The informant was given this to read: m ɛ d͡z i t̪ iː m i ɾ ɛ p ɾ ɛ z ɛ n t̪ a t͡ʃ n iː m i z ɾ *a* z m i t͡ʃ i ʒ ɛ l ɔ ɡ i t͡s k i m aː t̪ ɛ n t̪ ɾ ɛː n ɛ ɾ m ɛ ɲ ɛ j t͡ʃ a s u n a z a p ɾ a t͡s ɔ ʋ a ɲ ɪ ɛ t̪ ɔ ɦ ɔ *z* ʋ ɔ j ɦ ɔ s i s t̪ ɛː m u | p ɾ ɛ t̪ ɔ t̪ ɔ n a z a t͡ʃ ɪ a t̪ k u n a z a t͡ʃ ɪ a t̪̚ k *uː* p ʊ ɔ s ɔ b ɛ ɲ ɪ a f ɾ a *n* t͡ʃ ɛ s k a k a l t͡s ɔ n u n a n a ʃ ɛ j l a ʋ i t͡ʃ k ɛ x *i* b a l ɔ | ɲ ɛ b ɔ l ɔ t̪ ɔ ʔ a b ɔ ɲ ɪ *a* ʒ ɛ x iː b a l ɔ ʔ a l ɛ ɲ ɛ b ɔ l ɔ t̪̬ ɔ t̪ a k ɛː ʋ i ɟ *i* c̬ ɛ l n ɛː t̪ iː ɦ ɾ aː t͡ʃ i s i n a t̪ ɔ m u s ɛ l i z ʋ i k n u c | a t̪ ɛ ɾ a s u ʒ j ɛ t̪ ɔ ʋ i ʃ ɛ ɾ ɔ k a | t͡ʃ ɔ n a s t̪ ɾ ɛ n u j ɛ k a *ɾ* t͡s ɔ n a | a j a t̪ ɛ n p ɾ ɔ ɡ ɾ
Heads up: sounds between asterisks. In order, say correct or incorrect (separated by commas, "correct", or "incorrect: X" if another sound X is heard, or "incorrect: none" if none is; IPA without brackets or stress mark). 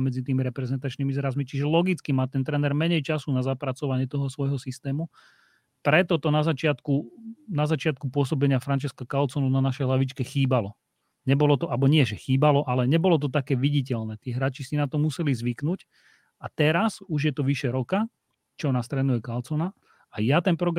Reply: correct, incorrect: s, incorrect: u, correct, incorrect: iː, incorrect: ɛ, correct, incorrect: l